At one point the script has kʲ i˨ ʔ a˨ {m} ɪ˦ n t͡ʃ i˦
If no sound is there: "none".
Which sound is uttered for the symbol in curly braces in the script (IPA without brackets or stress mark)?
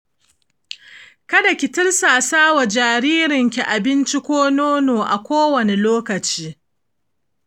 b